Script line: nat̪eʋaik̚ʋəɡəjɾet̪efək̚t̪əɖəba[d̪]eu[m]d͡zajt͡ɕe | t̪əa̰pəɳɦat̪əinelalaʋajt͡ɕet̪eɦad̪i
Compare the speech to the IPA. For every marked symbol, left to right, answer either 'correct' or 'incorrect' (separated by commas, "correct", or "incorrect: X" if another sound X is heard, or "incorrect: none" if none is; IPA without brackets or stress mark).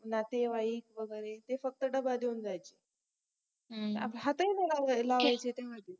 correct, incorrect: n